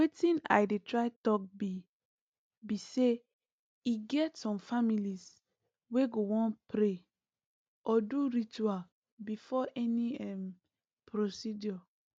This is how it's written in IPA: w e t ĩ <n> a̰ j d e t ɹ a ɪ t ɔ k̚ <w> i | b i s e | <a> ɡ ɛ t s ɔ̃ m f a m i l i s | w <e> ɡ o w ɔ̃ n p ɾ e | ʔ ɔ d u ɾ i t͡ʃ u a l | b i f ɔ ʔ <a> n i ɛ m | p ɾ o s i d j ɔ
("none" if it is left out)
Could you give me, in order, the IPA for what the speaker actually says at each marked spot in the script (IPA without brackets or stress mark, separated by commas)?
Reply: n, b, i, e, ɛ